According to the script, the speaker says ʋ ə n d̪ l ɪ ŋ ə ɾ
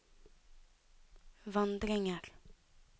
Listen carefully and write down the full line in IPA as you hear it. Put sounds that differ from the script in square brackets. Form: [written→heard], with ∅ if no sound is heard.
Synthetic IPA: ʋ [ə→ɑ] n d̪ [l→ɾ] ɪ ŋ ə ɾ